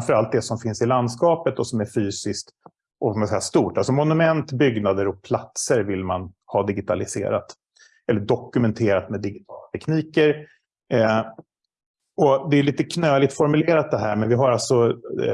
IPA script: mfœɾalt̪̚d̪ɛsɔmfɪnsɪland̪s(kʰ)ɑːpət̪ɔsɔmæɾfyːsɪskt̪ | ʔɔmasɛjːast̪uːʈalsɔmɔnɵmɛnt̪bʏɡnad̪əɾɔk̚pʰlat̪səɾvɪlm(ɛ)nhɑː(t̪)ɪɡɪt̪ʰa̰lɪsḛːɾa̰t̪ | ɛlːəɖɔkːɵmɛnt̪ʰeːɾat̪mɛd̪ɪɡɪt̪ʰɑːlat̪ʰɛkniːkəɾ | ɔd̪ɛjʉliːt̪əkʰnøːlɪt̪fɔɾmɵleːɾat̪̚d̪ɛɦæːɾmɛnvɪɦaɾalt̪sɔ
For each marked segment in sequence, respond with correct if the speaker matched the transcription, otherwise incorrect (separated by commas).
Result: incorrect, incorrect, incorrect